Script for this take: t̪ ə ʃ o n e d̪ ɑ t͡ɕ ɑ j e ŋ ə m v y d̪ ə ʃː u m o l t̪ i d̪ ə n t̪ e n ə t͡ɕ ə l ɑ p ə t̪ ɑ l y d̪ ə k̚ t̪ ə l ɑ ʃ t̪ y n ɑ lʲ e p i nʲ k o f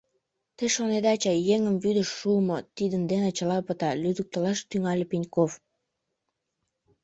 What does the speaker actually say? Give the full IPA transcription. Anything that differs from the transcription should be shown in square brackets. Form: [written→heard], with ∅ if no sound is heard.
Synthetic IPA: t̪ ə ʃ o n e d̪ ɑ t͡ɕ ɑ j e ŋ ə m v y d̪ ə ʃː u m o [l→∅] t̪ i d̪ ə n [t̪→d̪] e n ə t͡ɕ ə l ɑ p ə t̪ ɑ l y d̪ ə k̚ t̪ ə l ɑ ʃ t̪ y [n→ŋ] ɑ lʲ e p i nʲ k o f